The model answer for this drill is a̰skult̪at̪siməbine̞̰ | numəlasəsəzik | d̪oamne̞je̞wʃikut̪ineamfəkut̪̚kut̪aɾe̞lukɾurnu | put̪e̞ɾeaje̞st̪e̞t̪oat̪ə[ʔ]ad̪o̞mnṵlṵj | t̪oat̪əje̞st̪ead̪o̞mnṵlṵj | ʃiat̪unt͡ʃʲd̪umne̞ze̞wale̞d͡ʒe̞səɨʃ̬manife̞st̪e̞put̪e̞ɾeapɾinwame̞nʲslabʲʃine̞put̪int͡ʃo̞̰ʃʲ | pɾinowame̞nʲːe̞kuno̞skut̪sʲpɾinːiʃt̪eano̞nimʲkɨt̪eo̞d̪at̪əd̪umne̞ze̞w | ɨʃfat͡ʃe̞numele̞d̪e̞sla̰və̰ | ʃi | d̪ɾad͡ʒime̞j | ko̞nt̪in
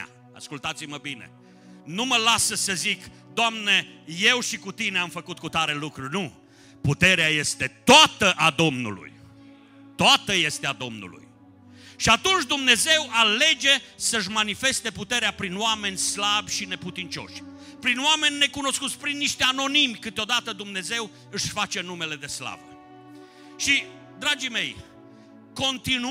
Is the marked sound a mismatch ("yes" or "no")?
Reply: no